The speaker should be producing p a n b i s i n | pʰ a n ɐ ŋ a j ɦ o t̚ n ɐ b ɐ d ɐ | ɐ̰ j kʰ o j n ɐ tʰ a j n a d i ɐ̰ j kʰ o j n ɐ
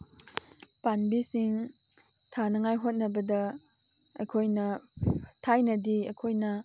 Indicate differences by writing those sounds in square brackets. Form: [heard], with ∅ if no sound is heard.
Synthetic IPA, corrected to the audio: p a n b i s i [ŋ] | [tʰ] a n ɐ ŋ a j ɦ o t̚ n ɐ b ɐ d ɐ | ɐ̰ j kʰ o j n ɐ tʰ a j n [ɐ] d i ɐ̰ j kʰ o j n ɐ

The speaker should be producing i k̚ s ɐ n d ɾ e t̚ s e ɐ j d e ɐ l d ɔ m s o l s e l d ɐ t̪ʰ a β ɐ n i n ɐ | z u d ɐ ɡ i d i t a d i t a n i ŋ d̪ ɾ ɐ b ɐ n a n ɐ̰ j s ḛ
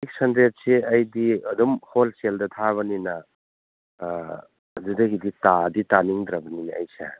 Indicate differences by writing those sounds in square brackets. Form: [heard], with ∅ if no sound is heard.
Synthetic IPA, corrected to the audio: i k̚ s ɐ n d ɾ e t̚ s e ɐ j d [i] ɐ [∅] d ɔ m [h] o l s e l d ɐ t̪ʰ a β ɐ n i n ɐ | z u d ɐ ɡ i d i t a d i t a n i ŋ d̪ ɾ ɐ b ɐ n [i] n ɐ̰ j s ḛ

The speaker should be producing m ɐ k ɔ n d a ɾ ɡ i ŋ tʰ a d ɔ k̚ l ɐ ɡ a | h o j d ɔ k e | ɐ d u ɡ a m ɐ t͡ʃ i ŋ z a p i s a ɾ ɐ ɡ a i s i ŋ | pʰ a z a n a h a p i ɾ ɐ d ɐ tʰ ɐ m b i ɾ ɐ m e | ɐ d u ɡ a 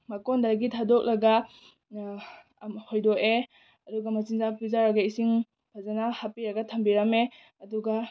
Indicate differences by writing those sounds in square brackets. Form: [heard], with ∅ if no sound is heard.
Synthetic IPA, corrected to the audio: m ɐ k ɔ n d a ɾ ɡ i [∅] tʰ a d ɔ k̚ l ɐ ɡ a | h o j d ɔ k e | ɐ d u ɡ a m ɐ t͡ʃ i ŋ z a p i [z] a ɾ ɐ ɡ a i s i ŋ | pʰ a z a n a h a p i ɾ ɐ [ɡ] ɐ tʰ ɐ m b i ɾ ɐ m e | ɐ d u ɡ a

